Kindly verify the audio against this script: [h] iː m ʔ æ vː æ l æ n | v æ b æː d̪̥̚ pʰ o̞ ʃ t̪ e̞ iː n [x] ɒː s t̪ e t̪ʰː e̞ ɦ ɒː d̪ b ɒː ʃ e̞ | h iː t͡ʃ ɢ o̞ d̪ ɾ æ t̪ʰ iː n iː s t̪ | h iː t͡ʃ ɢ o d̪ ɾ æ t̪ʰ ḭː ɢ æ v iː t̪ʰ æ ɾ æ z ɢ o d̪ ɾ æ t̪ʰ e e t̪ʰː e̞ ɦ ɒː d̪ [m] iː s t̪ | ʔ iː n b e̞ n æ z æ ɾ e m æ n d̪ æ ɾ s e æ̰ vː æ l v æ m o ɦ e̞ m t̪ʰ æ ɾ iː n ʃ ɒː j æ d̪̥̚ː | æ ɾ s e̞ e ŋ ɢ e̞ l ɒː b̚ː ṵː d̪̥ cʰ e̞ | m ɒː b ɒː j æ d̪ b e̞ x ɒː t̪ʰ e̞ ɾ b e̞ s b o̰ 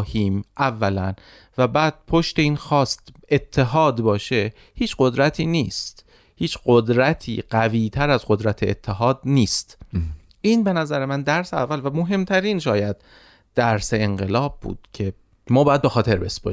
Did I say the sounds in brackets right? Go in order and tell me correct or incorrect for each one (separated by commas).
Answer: correct, correct, incorrect